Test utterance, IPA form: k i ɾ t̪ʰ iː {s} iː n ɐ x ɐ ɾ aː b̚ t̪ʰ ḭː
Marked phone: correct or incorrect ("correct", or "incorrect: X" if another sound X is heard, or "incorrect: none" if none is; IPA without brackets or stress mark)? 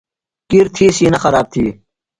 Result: correct